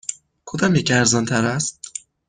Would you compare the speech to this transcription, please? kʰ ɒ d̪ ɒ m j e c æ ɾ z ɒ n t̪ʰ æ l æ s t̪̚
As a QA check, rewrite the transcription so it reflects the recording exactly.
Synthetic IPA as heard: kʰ o d̪ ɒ m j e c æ ɾ z ɒ n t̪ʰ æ ɾ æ s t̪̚

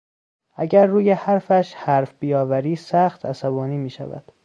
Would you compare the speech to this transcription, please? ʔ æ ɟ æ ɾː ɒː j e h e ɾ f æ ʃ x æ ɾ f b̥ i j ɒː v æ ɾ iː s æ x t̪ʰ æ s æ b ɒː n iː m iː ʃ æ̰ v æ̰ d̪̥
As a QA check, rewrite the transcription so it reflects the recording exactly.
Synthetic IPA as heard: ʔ æ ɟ æ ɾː uː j e h æ ɾ f æ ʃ h æ ɾ f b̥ i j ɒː v æ ɾ iː s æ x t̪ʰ æ s æ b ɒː n iː m iː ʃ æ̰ v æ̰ d̪̥

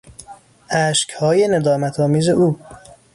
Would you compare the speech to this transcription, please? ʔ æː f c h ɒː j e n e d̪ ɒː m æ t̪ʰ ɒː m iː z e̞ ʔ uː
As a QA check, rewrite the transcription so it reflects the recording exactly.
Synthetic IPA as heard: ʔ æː ʃ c h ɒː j e n e d̪ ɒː m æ t̪ʰ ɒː m iː z e̞ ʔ uː

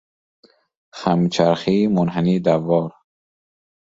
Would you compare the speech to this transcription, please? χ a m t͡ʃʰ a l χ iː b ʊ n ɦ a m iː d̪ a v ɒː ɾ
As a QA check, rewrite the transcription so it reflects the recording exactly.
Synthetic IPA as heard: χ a m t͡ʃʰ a ɾ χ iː m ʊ n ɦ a n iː d̪ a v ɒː ɾ

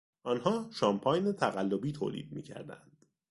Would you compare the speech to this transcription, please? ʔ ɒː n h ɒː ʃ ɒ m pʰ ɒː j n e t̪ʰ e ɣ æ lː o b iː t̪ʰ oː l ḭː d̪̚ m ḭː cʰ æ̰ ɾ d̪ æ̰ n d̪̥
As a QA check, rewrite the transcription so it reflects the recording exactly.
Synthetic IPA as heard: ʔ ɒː n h ɒː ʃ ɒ m pʰ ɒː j n e t̪ʰ æ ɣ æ lː o b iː t̪ʰ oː l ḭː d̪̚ m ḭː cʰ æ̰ ɾ d̪ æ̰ n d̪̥

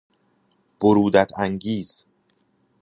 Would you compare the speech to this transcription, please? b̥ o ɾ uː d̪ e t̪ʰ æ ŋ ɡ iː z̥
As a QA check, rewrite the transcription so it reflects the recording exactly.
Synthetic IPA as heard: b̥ o ɾ uː d̪ æ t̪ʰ æ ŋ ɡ iː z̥

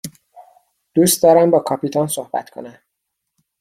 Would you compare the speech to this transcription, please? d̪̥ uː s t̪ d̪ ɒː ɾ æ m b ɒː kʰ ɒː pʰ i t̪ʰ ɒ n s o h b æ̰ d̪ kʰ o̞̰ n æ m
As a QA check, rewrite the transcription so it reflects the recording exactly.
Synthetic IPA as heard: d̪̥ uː s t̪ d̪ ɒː ɾ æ m b ɒː kʰ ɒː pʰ i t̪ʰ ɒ n s o h b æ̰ t̪ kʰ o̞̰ n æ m

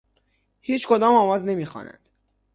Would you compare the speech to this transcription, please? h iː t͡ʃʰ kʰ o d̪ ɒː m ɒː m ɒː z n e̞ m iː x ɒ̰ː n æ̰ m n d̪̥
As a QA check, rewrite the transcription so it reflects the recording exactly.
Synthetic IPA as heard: h iː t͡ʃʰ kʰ o d̪ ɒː m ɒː m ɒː z n e̞ m iː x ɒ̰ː n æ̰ n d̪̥

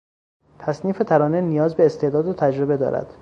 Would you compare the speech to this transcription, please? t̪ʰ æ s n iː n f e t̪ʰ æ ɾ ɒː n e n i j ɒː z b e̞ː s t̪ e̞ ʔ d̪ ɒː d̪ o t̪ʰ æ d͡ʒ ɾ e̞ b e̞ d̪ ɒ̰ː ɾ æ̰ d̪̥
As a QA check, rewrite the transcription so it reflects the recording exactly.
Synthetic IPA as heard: t̪ʰ æ s n iː f e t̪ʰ æ ɾ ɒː n e n i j ɒː z b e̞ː s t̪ e̞ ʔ d̪ ɒː d̪ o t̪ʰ æ d͡ʒ ɾ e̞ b e̞ d̪ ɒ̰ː ɾ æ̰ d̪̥

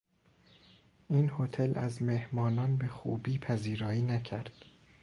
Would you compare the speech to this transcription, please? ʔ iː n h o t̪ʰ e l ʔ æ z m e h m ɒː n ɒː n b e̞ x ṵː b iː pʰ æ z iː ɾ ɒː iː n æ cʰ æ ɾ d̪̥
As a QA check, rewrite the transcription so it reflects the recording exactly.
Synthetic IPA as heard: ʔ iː n h o t̪ʰ e l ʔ æ z m e h m ɒː n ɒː n b e̞ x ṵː b iː pʰ æ z iː ɾ ɒː iː n æ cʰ æ ɾ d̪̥

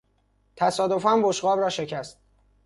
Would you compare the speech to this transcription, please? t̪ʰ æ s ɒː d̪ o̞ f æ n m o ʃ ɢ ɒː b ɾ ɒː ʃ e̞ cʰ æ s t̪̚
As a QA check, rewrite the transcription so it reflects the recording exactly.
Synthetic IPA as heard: t̪ʰ æ s ɒː d̪ o̞ f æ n b o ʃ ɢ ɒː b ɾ ɒː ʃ e̞ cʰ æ s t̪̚

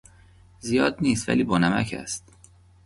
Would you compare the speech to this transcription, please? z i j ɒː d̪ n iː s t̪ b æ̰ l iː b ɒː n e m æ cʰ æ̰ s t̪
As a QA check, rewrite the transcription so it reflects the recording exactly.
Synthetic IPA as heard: z i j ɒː d̪ n iː s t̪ v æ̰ l iː b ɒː n æ m æ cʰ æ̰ s t̪

